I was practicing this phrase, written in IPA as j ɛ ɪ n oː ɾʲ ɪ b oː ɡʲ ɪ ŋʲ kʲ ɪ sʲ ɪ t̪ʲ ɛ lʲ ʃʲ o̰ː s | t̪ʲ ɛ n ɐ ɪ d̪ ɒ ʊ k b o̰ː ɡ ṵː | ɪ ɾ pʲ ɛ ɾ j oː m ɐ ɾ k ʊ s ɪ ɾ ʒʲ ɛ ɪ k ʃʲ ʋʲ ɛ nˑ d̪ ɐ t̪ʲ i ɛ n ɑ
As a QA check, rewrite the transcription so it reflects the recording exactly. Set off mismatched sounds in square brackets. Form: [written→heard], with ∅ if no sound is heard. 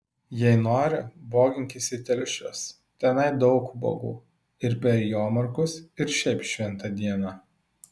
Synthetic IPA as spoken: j ɛ ɪ n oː ɾʲ ɪ b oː ɡʲ ɪ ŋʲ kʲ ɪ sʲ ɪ t̪ʲ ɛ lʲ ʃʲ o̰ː s | t̪ʲ ɛ n ɐ ɪ d̪ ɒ ʊ k b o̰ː ɡ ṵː | ɪ ɾ pʲ ɛ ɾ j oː m ɐ ɾ k ʊ s ɪ ɾ [ʒʲ→ʃʲ] ɛ ɪ [k→p] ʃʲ ʋʲ ɛ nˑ [d̪→t̪] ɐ [t̪ʲ→d̪ʲ] i ɛ n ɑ